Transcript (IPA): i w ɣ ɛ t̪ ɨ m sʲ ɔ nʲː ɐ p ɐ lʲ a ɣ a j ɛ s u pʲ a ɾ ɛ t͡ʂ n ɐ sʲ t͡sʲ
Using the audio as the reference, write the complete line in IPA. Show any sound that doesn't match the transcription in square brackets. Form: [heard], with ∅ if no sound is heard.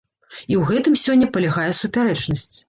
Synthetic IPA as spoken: i w ɣ ɛ t̪ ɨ m sʲ ɔ nʲː ɐ p ɐ lʲ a ɣ a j ɛ s u pʲ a ɾ ɛ t͡ʂ n ɐ sʲ t͡sʲ